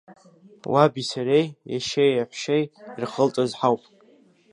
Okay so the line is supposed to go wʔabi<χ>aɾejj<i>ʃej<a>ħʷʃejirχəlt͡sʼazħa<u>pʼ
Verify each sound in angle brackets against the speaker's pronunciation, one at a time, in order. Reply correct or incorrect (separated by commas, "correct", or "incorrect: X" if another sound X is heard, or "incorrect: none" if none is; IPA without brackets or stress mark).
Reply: incorrect: s, incorrect: a, correct, incorrect: w